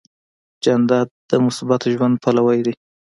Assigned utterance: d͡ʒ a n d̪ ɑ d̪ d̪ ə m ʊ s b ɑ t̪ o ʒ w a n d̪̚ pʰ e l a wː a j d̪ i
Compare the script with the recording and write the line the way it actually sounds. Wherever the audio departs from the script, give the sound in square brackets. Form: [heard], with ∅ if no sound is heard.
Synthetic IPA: d͡ʒ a n d̪ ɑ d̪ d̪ ə m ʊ s b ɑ t̪ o ʒ w a n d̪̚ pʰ [a] l a [w] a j d̪ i